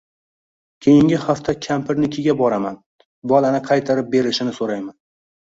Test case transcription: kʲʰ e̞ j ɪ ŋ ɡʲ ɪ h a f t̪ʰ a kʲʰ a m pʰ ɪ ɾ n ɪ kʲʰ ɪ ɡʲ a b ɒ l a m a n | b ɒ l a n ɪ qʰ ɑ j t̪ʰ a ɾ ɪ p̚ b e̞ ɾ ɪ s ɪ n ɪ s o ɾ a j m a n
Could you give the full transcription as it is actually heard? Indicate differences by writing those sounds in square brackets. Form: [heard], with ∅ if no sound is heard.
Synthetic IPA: kʲʰ e̞ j ɪ ŋ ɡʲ ɪ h a f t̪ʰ a kʲʰ a m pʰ ɪ ɾ n ɪ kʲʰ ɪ ɡʲ a b ɒ [ɾ] a m a n | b ɒ l a n ɪ qʰ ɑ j t̪ʰ a ɾ ɪ p̚ b e̞ ɾ ɪ [ʃ] ɪ n ɪ s o ɾ a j m a n